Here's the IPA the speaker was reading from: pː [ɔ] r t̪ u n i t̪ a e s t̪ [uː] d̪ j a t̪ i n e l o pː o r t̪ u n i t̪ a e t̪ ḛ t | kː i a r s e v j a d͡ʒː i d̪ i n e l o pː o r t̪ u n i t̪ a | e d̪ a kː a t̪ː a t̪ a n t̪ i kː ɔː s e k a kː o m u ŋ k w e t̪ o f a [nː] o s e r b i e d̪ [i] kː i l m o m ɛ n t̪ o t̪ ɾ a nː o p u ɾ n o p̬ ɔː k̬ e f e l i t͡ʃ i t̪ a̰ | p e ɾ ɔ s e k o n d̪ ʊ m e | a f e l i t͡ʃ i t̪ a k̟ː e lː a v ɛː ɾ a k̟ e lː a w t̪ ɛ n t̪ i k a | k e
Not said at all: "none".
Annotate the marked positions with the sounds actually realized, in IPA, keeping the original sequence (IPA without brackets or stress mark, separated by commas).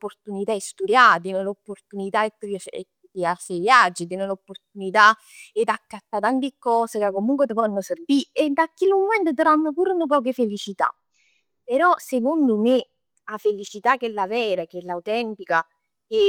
o, u, nː, a